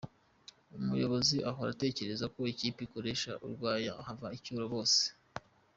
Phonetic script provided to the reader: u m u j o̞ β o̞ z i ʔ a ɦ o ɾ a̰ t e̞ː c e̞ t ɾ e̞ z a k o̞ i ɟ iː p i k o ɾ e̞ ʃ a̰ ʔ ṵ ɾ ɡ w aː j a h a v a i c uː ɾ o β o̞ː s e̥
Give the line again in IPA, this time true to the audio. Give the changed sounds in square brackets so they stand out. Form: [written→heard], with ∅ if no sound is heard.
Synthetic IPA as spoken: u m u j o̞ β o̞ z i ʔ a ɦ o ɾ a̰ t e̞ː c e̞ [t→∅] ɾ e̞ z a k o̞ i [ɟ→c] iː p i k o ɾ e̞ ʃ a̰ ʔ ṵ ɾ ɡ w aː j a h a v a i c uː ɾ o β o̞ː s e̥